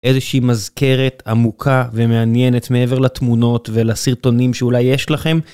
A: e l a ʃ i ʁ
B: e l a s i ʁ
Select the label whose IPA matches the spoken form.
B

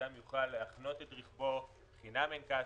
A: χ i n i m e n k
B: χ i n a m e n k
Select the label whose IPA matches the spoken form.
B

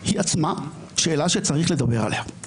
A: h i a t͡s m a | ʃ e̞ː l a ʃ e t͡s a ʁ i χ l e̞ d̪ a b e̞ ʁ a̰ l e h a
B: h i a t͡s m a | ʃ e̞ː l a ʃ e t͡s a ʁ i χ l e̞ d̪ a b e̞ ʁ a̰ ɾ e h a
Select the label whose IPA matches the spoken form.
A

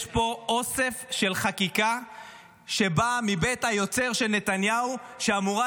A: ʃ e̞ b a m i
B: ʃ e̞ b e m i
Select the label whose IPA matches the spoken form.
A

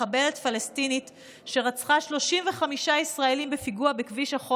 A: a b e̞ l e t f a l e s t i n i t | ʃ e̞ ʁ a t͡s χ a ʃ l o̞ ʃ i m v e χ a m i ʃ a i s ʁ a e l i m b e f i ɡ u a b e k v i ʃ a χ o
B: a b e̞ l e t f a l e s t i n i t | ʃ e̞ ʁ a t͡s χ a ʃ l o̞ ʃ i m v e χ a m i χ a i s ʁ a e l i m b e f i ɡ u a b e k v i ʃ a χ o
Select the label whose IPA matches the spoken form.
A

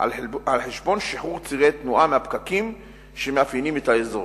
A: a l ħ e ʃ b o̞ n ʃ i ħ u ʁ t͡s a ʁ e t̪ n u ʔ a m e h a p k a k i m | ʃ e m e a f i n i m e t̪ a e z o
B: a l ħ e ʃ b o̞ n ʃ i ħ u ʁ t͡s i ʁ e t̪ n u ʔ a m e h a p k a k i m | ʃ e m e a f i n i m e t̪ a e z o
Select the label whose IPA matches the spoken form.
B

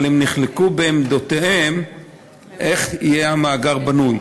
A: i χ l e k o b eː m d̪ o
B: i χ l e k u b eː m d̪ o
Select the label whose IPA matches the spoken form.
B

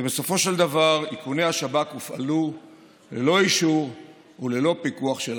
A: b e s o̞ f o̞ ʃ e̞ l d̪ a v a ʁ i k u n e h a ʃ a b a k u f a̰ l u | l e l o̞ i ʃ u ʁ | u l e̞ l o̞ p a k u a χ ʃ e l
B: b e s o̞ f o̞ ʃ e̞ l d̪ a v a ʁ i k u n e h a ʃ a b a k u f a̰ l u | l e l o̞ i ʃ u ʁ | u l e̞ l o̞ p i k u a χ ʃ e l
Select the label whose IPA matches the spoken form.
B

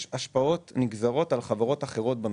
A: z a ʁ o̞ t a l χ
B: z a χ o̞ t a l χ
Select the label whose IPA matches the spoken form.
A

